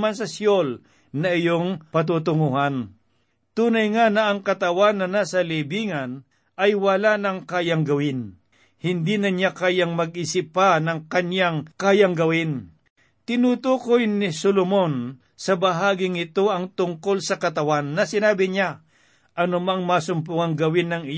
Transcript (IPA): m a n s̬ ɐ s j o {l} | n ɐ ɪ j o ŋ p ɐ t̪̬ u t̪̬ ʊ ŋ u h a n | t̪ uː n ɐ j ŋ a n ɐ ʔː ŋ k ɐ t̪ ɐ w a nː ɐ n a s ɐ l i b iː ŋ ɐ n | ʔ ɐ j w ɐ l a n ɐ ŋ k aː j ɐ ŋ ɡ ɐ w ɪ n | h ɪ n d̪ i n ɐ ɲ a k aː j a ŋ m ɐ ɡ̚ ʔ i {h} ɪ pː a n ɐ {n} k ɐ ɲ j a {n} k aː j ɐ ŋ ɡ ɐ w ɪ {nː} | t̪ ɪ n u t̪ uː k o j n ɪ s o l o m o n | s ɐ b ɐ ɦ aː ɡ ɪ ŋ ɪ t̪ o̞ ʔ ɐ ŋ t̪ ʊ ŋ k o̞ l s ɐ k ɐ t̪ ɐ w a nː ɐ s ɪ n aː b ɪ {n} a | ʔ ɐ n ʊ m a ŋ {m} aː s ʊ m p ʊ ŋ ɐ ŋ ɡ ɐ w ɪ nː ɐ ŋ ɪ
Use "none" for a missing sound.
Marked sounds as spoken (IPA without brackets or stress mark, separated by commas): l, s, ŋ, ŋ, n, ɲ, m